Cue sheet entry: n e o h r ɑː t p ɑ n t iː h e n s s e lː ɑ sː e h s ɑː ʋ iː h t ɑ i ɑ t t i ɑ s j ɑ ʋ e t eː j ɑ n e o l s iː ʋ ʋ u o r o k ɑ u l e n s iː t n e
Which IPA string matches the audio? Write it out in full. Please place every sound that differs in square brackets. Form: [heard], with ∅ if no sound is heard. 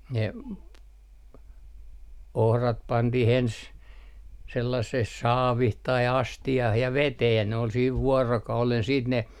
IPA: n e o h r [ɑ] t p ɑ n t [i] h e n s s e lː ɑ sː e h s ɑː ʋ [i] h t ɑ i ɑ [s] t i ɑ [h] j ɑ ʋ e t eː j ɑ n e o l s iː ʋ ʋ u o r o k ɑ u l e n s iː t n e